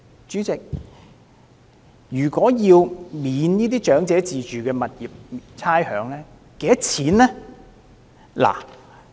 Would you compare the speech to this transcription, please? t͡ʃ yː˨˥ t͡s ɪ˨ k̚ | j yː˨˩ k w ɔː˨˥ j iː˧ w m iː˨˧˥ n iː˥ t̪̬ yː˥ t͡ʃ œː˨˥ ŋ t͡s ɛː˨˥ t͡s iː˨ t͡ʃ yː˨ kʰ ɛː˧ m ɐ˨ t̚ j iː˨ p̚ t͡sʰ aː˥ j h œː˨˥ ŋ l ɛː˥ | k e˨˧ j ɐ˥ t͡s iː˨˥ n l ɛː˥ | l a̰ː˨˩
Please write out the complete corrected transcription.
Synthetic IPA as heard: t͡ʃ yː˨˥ t͡s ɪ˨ k̚ | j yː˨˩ k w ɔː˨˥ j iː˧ w m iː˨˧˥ n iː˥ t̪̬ iː˥ t͡ʃ œː˨˥ ŋ t͡s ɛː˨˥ t͡s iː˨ t͡ʃ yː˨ k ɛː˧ m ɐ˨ t̚ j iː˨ p̚ t͡sʰ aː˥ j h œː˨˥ ŋ l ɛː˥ | k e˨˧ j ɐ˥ t͡sʰ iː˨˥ n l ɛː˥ | l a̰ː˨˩